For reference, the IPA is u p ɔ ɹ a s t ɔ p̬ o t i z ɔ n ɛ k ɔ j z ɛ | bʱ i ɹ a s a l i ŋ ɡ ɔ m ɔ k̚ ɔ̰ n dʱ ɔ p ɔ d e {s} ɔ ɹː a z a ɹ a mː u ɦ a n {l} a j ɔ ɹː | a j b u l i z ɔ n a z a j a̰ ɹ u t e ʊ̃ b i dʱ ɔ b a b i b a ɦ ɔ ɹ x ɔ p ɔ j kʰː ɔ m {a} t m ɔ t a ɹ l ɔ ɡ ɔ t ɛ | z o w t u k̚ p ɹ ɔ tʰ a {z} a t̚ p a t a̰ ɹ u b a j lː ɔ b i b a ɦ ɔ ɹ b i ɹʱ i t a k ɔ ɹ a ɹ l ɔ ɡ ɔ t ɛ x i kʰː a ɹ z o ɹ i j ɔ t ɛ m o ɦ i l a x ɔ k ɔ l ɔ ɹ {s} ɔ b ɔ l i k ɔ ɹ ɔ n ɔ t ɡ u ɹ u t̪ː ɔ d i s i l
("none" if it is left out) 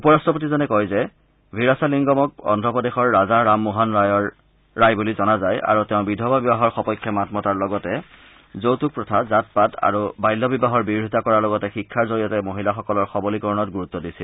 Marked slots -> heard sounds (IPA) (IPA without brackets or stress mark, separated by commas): x, ɹ, a, z, x